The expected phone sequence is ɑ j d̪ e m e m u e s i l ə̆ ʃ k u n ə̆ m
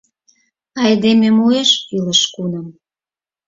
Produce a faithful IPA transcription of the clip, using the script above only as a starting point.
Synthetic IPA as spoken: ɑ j d̪ e m e m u e ʃ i l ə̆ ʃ k u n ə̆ m